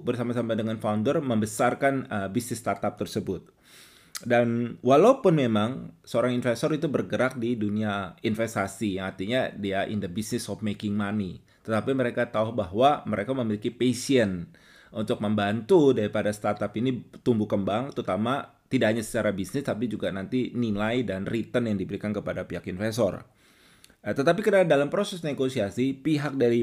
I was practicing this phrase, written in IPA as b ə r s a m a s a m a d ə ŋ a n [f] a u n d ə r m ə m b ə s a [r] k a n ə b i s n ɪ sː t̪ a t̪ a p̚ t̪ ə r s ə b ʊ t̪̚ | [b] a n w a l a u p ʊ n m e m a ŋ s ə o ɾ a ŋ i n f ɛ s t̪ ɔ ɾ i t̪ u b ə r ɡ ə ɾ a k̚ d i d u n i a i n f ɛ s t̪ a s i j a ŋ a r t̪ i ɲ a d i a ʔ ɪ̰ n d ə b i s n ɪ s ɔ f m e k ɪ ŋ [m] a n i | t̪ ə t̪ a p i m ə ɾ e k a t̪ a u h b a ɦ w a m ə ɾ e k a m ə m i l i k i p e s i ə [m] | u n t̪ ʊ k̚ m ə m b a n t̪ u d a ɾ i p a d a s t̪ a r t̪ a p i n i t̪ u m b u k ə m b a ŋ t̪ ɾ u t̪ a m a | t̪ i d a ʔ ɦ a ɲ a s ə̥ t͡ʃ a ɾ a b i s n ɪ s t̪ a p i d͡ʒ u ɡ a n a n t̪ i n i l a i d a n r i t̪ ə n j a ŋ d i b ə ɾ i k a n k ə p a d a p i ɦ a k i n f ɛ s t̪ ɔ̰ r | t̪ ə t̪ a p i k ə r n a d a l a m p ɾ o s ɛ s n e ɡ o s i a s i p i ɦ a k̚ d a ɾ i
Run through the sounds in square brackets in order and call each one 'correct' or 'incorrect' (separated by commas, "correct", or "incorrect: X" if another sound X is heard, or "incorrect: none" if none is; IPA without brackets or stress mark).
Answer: correct, correct, incorrect: d, correct, incorrect: n